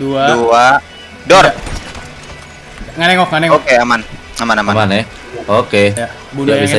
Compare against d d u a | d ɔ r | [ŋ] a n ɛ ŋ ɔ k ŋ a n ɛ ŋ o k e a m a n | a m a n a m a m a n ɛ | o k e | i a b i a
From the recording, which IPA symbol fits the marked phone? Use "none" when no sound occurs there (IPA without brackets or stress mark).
ŋ